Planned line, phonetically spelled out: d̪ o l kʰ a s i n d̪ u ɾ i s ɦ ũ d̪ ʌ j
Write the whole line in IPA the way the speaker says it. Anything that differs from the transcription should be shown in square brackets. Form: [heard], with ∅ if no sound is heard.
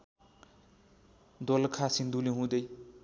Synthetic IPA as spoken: d̪ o l kʰ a s i n d̪ u [l] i [∅] ɦ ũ d̪ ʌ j